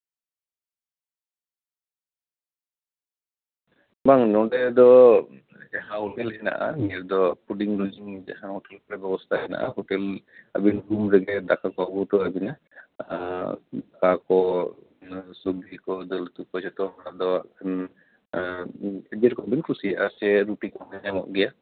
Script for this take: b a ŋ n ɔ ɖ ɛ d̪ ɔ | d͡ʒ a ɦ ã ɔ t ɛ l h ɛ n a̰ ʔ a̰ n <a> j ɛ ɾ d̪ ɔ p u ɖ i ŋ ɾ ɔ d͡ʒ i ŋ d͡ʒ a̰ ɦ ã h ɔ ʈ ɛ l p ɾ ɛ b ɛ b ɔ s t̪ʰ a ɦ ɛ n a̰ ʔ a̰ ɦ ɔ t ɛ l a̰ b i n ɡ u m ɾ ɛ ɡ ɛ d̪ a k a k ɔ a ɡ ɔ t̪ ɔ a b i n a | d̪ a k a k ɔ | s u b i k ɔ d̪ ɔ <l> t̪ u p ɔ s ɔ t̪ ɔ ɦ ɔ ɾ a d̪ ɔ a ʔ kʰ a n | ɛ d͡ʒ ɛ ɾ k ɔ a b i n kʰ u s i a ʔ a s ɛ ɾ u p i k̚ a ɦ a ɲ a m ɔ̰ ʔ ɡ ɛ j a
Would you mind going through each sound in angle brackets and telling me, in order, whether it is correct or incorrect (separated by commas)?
incorrect, correct